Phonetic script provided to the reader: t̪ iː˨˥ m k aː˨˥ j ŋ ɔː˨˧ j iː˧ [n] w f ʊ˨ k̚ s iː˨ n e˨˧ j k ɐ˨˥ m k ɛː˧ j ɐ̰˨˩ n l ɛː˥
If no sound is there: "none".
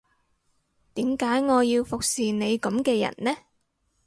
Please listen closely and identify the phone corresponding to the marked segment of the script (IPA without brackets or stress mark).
none